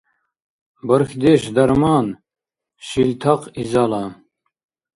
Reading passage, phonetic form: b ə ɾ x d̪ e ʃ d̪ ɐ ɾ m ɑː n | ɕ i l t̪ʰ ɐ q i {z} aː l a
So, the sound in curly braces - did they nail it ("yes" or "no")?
yes